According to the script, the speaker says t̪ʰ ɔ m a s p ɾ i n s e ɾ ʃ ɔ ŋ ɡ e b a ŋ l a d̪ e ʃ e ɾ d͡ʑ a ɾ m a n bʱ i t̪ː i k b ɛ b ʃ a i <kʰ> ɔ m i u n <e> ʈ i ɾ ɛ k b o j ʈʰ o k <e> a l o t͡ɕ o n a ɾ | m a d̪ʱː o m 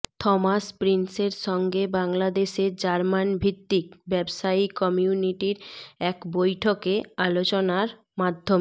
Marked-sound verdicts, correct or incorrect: incorrect: k, incorrect: i, correct

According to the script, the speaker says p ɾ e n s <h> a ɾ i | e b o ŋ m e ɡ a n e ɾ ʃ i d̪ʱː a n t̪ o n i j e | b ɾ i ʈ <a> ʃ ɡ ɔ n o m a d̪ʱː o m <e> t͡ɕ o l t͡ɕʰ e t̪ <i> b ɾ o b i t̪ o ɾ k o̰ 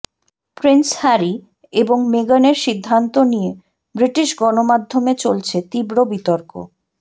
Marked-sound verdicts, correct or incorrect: correct, incorrect: i, correct, correct

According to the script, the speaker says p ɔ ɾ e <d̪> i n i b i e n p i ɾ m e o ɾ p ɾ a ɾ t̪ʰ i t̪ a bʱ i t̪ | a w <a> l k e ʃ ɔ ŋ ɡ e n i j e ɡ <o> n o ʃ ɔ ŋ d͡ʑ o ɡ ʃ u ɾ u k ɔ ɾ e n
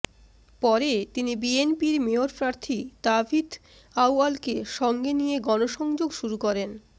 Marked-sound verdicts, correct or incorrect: incorrect: t̪, correct, incorrect: ɔ

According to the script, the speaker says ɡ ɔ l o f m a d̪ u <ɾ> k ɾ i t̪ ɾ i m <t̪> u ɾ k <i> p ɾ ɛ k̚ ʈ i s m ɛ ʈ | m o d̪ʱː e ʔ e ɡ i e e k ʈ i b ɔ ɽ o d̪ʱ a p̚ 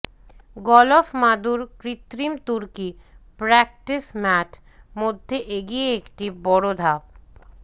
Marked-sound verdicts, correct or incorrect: correct, correct, correct

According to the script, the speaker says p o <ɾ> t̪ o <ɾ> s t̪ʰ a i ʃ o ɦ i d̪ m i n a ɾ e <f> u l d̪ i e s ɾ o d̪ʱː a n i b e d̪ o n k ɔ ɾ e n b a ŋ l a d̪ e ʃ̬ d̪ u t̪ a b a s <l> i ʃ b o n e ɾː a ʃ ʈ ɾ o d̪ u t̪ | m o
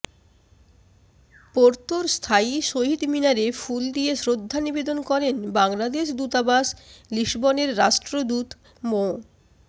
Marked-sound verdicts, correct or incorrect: correct, correct, correct, correct

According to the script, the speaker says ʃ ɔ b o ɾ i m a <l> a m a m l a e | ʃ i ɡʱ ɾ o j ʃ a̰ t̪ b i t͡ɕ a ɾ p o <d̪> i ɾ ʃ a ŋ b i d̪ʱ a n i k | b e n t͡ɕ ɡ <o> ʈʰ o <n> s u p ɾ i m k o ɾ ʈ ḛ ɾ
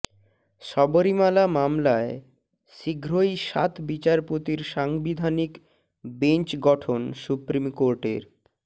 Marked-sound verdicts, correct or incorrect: correct, incorrect: t̪, incorrect: ɔ, correct

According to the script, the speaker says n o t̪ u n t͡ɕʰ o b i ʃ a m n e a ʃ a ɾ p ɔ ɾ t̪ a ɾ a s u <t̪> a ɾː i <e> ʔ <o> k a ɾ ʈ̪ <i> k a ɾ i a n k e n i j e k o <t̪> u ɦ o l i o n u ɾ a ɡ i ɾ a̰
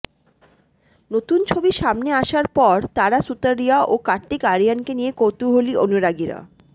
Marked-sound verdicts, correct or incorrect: correct, incorrect: a, correct, correct, correct

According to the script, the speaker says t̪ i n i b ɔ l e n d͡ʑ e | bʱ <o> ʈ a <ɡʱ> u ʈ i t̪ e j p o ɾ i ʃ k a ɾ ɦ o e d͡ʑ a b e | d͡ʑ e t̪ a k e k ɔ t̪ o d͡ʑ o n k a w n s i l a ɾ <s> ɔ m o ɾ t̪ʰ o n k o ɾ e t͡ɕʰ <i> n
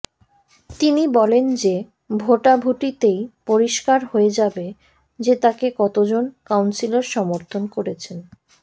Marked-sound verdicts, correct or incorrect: correct, incorrect: bʱ, incorrect: ʃ, incorrect: e

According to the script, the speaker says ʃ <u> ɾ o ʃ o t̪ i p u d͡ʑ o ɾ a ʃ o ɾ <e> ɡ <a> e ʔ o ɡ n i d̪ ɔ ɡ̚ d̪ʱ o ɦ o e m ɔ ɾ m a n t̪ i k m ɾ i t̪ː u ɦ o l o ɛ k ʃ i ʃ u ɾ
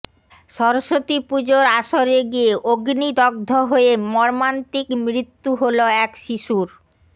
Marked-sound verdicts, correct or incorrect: incorrect: ɔ, correct, incorrect: i

